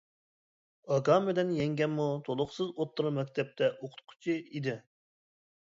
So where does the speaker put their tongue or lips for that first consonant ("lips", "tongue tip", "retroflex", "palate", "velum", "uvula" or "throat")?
velum